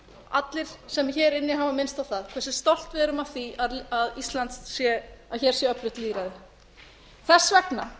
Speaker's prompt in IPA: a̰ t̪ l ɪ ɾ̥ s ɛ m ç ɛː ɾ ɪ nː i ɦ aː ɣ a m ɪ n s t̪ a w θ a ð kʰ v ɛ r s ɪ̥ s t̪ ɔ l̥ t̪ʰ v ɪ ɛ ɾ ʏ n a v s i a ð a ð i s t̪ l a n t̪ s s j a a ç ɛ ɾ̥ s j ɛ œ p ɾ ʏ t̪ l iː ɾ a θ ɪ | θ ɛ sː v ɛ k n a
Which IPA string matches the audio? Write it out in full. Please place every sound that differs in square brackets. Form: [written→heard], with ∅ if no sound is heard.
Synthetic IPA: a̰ t̪ l ɪ ɾ̥ s ɛ m ç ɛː ɾ ɪ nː [i→ɪ] ɦ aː [ɣ→v] a m ɪ n s t̪ a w θ a ð kʰ v ɛ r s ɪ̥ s t̪ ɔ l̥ [t̪ʰ→t̪] v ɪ ɛ ɾ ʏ [n→m] a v [s→θ] i a ð a ð i s t̪ l a n t̪ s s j [a→ɛ] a ç ɛ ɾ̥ s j ɛ œ p ɾ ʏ t̪ l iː ɾ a [θ→ð] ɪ | θ ɛ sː v ɛ k n a